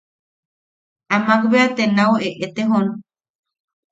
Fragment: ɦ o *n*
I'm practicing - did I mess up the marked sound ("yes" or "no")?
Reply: no